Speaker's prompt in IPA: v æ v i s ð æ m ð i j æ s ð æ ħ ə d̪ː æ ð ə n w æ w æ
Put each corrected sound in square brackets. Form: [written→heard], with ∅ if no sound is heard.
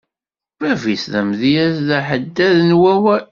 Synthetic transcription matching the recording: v æ v i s ð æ m ð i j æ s ð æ ħ ə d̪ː æ ð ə n w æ w æ